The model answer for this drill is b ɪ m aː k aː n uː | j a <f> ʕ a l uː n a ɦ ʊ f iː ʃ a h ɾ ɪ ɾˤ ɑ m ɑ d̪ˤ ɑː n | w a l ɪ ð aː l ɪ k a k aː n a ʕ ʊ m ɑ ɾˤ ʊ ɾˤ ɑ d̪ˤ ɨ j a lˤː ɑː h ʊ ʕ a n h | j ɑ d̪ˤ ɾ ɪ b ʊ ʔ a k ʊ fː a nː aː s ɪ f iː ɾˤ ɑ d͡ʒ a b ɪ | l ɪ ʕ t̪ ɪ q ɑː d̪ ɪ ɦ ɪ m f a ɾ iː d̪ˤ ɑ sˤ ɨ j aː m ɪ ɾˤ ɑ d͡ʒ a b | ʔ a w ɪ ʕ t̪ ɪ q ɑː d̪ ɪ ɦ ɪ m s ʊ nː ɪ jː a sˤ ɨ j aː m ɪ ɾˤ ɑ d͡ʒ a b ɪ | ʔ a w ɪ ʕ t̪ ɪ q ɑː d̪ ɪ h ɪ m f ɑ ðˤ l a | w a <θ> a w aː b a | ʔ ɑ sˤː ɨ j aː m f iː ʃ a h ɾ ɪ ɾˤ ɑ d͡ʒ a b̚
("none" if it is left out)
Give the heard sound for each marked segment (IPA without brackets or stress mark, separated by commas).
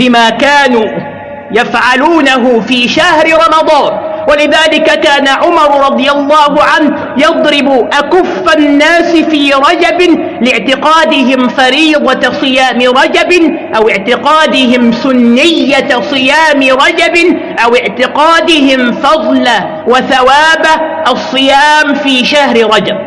f, θ